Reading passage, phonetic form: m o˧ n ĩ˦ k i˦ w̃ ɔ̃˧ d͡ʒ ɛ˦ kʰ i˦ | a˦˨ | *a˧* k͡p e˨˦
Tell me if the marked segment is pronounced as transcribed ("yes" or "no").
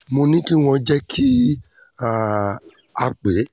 yes